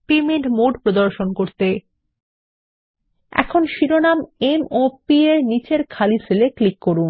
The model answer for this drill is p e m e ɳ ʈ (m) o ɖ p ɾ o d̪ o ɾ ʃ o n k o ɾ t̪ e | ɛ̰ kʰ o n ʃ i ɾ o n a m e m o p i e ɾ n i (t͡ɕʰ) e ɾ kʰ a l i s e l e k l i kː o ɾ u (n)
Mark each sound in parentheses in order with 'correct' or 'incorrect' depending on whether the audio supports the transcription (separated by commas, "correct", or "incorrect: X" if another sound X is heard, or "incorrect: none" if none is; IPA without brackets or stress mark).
correct, incorrect: t͡ɕ, correct